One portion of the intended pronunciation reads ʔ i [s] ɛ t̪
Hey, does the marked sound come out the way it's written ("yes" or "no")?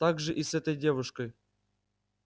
yes